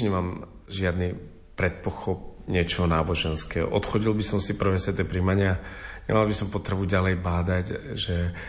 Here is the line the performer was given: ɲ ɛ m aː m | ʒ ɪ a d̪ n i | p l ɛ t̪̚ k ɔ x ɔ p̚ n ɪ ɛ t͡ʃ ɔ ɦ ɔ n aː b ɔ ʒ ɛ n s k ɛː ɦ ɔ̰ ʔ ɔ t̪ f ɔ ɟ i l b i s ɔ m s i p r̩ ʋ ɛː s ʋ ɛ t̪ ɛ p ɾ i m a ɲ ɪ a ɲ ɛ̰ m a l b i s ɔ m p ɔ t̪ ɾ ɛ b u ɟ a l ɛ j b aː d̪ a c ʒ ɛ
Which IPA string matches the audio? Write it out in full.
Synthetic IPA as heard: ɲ ɛ m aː m | ʒ ɪ a d̪ n i | p ɾ ɛ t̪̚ p ɔ x ɔ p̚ ɲ ɪ ɛ t͡ʃ ɔ ɦ ɔ n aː b ɔ ʒ ɛ n s k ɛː ɦ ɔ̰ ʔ ɔ t̪ x ɔ ɟ i l b i s ɔ m s i p r̩ ʋ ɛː s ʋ ɛ t̪ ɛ p ɾ i m a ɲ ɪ a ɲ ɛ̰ m a l b i s ɔ m p ɔ t̪ ɾ ɛ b u ɟ a l ɛ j b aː d̪ a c ʒ ɛ